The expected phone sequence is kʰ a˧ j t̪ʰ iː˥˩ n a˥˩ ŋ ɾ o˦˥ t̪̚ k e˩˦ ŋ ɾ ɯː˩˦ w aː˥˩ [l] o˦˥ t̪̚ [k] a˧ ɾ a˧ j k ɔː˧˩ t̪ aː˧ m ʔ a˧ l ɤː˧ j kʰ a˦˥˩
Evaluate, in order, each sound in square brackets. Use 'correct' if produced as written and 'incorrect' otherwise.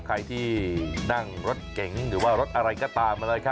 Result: incorrect: ɾ, incorrect: ʔ

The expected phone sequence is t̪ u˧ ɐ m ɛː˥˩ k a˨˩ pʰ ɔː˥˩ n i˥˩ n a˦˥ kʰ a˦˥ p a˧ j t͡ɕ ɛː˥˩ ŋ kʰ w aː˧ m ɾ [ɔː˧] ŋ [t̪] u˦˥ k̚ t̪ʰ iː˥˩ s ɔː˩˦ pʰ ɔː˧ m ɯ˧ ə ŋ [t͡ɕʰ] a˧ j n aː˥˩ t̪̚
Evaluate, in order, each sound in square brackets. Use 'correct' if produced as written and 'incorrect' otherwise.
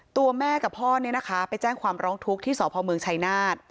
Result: incorrect: ɔː˦˥, incorrect: t̪ʰ, correct

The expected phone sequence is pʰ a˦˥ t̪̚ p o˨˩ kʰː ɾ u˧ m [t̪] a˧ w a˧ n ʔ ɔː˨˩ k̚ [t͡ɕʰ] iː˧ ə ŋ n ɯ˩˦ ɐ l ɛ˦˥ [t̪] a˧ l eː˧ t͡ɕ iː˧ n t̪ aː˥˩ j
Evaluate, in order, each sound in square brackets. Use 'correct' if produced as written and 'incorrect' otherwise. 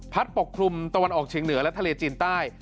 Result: correct, correct, incorrect: t̪ʰ

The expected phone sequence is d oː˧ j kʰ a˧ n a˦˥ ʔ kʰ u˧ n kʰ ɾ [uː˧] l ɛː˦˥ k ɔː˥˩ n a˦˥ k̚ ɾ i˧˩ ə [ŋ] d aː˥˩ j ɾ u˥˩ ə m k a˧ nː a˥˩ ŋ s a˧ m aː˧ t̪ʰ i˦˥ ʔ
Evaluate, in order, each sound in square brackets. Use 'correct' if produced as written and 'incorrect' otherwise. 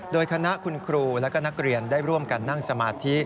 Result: correct, incorrect: n

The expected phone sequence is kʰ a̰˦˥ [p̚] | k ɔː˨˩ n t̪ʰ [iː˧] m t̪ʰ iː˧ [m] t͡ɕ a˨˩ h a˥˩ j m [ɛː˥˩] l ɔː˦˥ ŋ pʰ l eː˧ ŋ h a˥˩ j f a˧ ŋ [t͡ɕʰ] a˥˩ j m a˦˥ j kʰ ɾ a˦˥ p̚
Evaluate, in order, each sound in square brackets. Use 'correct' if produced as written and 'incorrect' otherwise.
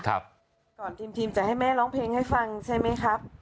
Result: correct, correct, correct, correct, correct

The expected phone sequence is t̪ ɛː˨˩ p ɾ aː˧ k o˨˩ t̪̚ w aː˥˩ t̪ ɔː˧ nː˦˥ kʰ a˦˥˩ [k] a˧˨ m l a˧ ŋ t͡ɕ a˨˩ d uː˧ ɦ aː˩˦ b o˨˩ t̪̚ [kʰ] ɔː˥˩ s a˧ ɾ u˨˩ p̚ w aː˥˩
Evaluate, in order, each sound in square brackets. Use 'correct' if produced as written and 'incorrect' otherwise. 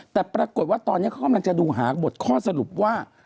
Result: correct, correct

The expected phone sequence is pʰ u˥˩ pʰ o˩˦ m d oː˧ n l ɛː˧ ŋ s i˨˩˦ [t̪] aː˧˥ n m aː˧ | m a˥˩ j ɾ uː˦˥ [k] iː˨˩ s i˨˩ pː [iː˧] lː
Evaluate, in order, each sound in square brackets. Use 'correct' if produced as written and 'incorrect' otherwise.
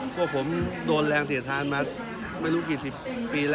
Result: incorrect: t̪ʰ, correct, correct

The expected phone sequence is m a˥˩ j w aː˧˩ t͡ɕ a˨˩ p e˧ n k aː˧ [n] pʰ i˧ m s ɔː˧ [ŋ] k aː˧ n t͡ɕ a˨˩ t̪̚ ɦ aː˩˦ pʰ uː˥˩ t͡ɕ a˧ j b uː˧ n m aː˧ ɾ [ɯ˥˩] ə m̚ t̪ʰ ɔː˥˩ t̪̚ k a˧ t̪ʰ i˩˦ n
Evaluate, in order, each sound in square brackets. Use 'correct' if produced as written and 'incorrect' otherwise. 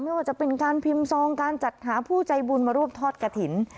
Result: correct, correct, incorrect: u˥˩

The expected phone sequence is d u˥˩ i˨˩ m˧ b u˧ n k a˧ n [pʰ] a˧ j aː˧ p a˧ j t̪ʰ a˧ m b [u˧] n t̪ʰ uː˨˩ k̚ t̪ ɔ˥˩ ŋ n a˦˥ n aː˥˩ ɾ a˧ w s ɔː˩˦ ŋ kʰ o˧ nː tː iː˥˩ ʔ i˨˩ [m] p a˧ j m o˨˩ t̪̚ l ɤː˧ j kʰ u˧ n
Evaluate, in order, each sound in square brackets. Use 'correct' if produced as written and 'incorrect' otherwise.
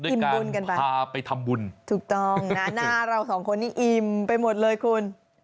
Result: incorrect: p, correct, correct

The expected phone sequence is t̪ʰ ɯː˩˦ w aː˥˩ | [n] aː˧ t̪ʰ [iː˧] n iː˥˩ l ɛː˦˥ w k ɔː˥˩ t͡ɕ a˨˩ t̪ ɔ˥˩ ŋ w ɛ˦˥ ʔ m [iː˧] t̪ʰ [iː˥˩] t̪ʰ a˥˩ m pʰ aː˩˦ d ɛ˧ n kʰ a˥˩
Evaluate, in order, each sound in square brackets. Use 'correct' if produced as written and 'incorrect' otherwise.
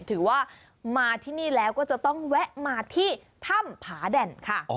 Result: incorrect: m, incorrect: iː˥˩, incorrect: aː˧, correct

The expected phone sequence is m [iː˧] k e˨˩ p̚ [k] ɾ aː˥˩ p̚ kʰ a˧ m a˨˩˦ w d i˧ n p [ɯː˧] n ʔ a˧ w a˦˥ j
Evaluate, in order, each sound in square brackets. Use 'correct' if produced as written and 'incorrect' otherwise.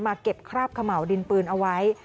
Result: incorrect: aː˧, incorrect: kʰ, correct

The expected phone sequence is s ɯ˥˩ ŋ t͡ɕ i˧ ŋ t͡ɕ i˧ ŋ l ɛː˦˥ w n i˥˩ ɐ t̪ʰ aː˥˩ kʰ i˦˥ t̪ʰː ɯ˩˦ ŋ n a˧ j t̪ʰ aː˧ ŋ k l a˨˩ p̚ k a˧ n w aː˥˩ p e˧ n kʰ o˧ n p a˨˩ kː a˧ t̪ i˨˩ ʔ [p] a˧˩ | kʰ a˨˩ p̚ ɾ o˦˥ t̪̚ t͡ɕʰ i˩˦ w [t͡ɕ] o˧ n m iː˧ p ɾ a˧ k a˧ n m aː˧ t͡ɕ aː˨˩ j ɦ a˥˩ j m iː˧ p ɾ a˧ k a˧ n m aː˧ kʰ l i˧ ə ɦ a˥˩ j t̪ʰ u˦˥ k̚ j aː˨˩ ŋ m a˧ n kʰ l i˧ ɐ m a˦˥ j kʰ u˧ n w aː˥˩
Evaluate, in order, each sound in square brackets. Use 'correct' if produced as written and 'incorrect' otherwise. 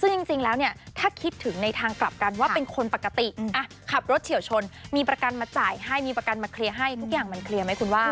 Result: incorrect: ʔ, incorrect: t͡ɕʰ

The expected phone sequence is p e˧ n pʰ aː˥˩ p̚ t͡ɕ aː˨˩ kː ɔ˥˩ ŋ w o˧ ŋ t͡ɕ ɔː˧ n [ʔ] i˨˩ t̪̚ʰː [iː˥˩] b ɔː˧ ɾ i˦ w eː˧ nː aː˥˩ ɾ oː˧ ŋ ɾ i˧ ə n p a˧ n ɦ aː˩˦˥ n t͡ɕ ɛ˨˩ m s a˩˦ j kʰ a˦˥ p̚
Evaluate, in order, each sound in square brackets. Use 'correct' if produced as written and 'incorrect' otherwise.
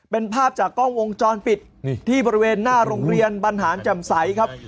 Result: incorrect: p, correct

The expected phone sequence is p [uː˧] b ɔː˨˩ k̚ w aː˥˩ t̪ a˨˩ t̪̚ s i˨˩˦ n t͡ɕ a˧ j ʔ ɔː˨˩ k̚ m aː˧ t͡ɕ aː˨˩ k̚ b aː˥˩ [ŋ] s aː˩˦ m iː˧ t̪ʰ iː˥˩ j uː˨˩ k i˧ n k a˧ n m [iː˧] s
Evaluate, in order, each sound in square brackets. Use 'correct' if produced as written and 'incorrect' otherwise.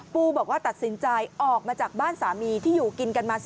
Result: correct, incorrect: n, incorrect: aː˧

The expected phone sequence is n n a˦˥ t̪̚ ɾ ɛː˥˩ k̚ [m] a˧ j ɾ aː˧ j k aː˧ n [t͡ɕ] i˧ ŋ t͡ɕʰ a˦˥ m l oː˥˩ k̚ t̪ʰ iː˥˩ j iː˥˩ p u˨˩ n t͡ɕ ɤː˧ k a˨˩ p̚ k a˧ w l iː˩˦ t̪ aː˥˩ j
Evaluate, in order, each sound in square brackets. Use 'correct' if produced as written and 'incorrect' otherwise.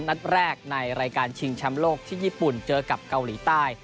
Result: incorrect: n, incorrect: t͡ɕʰ

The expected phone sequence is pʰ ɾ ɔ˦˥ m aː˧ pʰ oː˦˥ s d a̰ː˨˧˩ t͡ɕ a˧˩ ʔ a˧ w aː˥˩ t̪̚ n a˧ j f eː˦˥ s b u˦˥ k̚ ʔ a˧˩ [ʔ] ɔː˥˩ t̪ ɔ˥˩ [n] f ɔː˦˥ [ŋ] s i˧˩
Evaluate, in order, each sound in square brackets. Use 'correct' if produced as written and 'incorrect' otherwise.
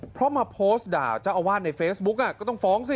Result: incorrect: k, incorrect: ŋ, correct

